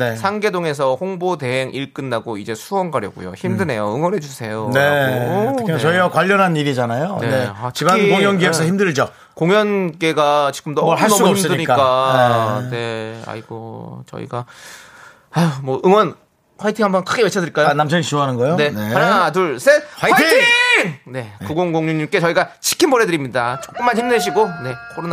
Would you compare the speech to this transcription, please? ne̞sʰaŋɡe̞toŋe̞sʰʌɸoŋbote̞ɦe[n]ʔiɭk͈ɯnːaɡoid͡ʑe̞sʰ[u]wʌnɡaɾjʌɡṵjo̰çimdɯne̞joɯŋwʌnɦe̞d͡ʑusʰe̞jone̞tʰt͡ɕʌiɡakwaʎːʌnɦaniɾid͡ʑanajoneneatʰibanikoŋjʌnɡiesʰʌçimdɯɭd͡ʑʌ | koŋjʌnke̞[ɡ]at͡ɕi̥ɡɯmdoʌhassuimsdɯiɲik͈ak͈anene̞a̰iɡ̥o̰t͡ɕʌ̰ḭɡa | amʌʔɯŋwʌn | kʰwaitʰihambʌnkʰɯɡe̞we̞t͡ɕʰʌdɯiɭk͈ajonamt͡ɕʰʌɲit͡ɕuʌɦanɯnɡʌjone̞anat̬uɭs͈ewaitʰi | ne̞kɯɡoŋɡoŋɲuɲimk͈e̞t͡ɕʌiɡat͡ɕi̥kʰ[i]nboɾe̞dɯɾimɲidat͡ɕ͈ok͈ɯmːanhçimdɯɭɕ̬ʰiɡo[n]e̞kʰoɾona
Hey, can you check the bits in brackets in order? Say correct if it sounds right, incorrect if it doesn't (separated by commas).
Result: incorrect, correct, correct, correct, correct